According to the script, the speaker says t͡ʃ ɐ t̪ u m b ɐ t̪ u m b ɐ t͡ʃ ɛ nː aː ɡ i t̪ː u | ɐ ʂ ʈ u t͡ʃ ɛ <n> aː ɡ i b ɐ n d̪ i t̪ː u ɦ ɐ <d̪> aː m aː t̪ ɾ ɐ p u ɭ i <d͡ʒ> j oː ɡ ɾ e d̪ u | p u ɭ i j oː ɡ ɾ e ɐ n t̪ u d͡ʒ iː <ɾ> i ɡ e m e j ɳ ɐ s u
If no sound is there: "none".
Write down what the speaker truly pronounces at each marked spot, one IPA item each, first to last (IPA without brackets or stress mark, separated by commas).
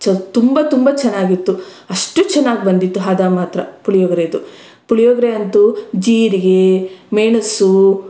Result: nː, d̪, none, ɾ